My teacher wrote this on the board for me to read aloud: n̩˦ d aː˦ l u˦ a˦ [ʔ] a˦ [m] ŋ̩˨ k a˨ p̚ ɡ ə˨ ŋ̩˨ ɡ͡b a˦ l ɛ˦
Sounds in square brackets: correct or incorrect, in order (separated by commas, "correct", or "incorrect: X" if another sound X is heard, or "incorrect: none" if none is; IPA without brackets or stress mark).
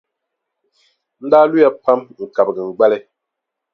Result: incorrect: p, correct